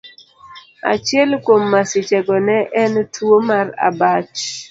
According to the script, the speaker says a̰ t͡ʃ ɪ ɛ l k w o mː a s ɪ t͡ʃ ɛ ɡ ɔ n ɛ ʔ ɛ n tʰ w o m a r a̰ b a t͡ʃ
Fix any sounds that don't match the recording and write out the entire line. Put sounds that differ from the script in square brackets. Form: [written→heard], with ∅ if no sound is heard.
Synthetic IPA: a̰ t͡ʃ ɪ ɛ l k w o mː a s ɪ t͡ʃ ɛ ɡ ɔ n ɛ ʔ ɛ n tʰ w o m a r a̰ b a t͡ʃ